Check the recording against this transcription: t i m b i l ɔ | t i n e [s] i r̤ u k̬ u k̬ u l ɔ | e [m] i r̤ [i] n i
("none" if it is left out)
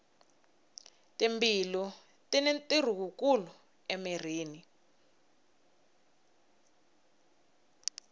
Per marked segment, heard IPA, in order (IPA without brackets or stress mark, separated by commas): t, m, iː